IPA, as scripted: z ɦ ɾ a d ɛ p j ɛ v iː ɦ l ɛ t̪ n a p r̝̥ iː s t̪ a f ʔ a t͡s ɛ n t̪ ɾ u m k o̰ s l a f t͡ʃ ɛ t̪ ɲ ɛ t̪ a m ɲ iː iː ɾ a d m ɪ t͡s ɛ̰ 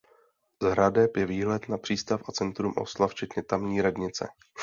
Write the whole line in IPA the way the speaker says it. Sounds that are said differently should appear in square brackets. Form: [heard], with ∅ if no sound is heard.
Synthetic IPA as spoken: z ɦ ɾ a d ɛ p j ɛ v iː ɦ l ɛ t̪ n a p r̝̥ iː s t̪ a f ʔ a t͡s ɛ n t̪ ɾ u m [ʔ] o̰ s l a f t͡ʃ ɛ t̪ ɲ ɛ t̪ a m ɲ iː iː ɾ a d [ɲ] ɪ t͡s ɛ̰